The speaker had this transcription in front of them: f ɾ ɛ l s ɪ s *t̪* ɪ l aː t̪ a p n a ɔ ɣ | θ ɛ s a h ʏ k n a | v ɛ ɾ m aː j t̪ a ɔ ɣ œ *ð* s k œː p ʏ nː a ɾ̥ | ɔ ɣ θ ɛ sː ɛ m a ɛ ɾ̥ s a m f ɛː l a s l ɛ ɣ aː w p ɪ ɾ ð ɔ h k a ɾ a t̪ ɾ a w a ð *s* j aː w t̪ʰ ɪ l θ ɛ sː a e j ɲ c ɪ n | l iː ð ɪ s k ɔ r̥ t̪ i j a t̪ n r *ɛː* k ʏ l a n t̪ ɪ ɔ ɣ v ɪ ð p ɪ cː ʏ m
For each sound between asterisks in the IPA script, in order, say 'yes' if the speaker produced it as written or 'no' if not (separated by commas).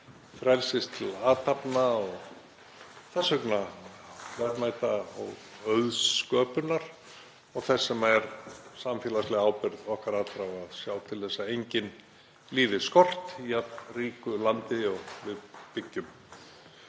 no, yes, yes, no